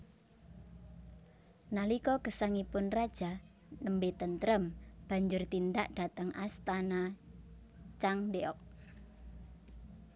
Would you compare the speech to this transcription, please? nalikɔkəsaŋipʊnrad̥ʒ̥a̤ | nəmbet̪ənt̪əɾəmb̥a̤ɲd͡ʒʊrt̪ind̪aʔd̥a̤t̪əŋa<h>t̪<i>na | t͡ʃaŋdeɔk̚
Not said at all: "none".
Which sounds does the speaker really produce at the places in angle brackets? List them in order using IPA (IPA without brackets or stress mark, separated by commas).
s, a